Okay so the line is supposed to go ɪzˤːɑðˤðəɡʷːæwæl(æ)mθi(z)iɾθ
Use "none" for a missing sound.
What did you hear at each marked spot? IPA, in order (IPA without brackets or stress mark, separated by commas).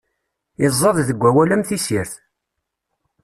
æ, s